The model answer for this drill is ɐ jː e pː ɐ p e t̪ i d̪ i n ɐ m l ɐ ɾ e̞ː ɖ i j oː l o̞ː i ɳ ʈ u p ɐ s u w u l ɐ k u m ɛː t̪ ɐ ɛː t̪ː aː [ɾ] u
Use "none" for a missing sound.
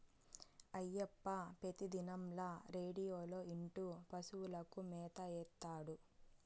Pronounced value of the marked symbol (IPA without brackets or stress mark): ɽ